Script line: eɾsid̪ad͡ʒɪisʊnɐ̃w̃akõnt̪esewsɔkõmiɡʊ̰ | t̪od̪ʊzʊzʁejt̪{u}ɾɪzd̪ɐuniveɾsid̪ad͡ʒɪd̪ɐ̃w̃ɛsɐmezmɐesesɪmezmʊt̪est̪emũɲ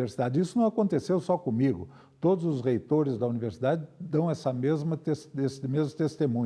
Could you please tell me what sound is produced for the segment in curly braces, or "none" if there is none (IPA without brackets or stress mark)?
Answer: o